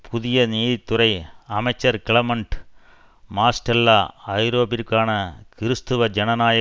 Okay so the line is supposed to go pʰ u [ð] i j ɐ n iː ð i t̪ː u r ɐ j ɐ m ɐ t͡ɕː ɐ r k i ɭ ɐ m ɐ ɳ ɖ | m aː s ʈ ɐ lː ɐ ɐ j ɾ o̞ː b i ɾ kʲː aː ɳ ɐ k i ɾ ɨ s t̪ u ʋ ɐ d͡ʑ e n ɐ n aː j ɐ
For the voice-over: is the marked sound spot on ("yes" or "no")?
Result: yes